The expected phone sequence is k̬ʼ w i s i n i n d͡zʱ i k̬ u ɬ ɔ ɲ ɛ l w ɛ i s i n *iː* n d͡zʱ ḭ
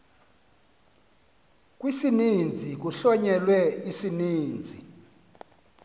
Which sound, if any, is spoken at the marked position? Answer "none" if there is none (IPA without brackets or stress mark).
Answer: iː